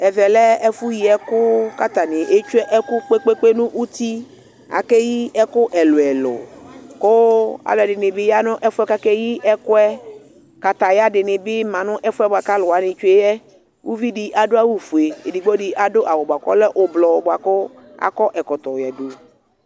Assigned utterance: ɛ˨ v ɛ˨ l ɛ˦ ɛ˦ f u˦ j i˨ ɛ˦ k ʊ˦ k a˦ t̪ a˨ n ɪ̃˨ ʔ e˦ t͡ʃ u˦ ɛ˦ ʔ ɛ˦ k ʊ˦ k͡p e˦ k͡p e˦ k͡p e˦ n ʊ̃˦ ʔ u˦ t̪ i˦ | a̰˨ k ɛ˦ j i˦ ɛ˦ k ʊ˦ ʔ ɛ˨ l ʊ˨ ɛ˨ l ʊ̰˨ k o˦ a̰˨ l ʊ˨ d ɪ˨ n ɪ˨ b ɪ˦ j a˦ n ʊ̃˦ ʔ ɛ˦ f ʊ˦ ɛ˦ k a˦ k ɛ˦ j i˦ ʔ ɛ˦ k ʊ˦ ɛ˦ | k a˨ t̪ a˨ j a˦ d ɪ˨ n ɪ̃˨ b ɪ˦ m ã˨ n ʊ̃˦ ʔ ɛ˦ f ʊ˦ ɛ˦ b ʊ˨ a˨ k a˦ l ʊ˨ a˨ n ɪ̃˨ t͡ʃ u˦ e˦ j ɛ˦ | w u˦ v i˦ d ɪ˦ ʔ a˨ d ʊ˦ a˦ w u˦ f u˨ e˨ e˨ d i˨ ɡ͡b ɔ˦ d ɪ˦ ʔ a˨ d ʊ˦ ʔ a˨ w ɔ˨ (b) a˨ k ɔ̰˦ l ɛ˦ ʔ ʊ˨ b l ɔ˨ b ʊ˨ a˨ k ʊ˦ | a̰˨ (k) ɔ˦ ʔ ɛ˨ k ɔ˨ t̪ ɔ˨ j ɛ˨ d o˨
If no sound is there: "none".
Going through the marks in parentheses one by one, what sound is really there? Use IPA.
b, k

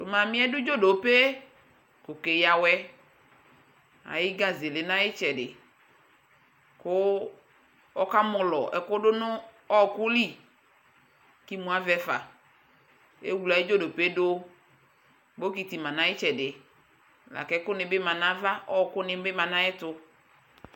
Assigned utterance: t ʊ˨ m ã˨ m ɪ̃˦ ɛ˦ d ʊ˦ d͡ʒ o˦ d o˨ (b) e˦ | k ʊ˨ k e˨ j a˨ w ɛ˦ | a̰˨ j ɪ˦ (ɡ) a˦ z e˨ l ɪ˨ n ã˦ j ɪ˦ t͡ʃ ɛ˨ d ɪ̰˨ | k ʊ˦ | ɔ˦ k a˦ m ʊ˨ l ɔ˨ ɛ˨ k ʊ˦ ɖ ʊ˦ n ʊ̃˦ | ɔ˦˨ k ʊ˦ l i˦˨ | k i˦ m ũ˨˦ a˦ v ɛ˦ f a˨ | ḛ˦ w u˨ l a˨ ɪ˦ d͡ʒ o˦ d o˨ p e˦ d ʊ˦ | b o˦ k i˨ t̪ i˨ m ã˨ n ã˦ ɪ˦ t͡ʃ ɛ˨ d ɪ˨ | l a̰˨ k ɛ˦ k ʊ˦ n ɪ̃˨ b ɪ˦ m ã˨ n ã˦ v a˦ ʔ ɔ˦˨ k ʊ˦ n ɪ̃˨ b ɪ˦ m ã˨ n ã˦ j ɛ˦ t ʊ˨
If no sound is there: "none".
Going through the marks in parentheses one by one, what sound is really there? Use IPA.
p, ɡ

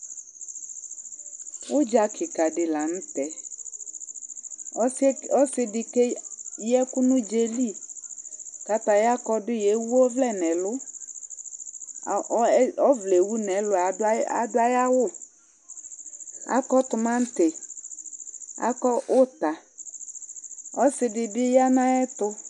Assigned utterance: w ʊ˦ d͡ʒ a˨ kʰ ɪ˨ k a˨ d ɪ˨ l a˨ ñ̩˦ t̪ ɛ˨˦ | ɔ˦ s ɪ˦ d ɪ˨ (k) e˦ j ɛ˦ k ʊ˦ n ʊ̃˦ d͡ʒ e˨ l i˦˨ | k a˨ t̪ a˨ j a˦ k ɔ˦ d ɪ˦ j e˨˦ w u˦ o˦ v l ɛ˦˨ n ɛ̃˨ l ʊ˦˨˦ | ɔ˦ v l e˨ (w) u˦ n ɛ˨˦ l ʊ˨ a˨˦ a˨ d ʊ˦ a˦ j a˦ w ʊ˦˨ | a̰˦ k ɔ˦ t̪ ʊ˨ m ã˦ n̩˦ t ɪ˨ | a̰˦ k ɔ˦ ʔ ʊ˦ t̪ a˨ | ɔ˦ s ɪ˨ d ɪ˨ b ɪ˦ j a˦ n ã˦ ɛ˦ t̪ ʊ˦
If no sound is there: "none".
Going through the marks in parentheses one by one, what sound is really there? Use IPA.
k, w

